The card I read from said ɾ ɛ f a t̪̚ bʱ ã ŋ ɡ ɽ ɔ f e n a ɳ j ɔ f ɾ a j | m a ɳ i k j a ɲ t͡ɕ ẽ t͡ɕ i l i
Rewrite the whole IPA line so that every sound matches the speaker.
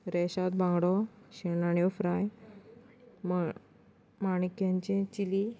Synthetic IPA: ɾ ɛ ɕ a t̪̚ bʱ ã ŋ ɡ ɽ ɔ ɕ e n a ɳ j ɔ f ɾ a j | m a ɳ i k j a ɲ t͡ɕ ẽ t͡ɕ i l i